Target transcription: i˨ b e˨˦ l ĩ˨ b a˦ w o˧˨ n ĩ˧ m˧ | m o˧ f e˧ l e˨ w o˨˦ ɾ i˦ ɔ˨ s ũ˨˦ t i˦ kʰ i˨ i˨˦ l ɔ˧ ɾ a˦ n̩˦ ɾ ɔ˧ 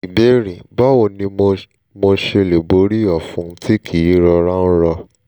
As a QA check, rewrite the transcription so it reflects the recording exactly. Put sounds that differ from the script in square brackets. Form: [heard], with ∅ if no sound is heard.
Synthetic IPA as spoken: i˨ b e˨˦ [ɾ] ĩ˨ b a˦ w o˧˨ n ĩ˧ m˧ | m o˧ [ʃ] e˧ l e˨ [b] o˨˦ ɾ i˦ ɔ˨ [f] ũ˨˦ t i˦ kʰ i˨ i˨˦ [ɾ] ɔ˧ ɾ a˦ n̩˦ ɾ ɔ˧